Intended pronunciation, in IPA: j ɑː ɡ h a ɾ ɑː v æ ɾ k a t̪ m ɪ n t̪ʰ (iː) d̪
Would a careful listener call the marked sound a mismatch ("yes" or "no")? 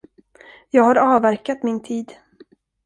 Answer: no